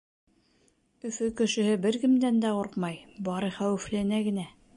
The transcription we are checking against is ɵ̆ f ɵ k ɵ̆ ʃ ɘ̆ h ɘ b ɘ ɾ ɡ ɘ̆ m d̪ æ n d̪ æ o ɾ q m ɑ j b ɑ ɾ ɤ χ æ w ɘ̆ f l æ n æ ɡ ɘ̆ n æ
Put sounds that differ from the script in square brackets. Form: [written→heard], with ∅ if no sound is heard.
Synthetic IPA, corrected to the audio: ɵ̆ f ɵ k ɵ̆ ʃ ɘ̆ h ɘ b ɘ ɾ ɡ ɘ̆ m d̪ æ n d̪ æ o ɾ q m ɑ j b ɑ ɾ ɤ χ æ w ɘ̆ f l æ n æ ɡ ɘ̆ n æ